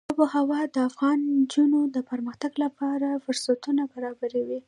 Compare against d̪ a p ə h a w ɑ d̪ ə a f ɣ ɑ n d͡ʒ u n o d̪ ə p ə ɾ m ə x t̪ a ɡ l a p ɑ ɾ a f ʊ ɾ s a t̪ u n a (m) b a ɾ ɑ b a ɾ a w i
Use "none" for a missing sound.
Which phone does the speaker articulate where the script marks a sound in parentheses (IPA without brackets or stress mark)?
none